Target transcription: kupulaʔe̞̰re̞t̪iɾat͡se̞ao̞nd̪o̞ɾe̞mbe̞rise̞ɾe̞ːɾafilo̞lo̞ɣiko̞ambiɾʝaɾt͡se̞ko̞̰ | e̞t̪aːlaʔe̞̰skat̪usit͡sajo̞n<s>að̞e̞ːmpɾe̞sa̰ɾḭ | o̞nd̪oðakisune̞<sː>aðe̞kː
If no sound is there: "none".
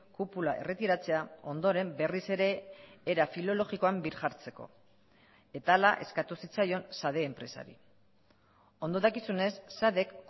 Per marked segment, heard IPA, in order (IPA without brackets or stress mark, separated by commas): s, sː